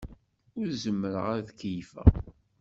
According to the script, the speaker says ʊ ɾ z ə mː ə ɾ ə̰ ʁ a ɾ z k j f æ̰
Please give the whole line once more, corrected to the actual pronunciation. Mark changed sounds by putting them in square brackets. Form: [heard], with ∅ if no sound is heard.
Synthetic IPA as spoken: ʊ ɾ z ə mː ə ɾ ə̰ ʁ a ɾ [ð] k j f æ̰